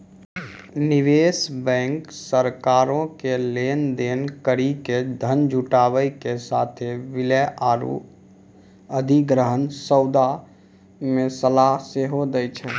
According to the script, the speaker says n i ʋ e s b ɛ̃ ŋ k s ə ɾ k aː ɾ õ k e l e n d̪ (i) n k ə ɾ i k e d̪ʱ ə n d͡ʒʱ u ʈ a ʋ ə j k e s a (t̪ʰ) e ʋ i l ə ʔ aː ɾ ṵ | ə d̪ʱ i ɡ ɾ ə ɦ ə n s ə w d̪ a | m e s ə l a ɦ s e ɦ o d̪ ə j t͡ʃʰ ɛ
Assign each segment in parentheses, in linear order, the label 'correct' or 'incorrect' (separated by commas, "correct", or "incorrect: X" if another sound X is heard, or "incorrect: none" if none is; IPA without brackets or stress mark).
incorrect: e, correct